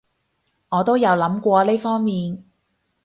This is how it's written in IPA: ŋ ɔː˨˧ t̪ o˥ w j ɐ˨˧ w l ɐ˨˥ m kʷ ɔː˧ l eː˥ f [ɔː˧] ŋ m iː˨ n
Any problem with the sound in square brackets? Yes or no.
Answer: yes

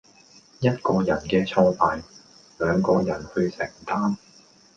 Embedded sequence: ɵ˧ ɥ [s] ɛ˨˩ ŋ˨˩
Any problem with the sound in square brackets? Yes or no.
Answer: no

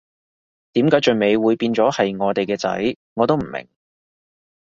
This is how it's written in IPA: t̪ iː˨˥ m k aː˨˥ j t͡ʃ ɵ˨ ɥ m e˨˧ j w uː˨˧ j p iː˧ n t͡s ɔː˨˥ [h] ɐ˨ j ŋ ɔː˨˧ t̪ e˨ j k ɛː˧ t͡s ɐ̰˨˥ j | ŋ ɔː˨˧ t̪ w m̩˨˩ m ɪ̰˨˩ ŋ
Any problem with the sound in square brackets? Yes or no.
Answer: no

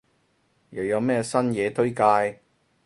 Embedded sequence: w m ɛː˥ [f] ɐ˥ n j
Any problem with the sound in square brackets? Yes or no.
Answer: yes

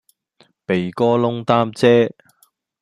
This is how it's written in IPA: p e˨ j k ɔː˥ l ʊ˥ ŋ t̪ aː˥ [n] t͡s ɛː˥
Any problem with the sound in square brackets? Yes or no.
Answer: yes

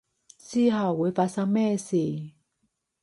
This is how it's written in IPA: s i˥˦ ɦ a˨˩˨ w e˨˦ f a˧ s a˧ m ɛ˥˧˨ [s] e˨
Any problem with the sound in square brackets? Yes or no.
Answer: no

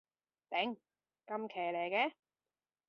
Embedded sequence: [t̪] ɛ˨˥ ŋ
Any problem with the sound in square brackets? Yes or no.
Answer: no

